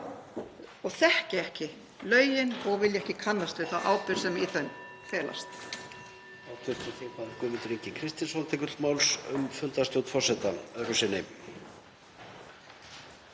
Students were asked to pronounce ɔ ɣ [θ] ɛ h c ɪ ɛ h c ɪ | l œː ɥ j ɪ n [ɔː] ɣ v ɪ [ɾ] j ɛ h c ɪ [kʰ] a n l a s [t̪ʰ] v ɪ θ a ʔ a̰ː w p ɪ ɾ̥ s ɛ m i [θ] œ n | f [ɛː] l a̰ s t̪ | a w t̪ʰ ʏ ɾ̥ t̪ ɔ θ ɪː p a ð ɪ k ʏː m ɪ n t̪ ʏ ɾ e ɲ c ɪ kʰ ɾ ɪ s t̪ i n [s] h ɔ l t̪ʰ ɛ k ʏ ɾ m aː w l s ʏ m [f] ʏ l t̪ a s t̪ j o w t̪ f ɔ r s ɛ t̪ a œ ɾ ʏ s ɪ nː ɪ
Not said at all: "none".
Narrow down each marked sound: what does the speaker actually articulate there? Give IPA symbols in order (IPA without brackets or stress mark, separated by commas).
θ, ɔ, l, kʰ, t̪, θ, ɛː, s, f